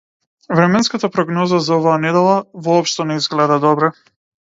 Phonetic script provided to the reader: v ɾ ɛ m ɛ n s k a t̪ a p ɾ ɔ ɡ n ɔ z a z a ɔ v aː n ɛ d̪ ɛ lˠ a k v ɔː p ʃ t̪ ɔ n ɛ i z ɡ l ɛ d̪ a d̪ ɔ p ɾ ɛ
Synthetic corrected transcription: v ɾ ɛ m ɛ n s k a t̪ a p ɾ ɔ ɡ n ɔ z a z a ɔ v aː n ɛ d̪ ɛ lˠ a v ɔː p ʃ t̪ ɔ n ɛ i z ɡ l ɛ d̪ a d̪ ɔ b ɾ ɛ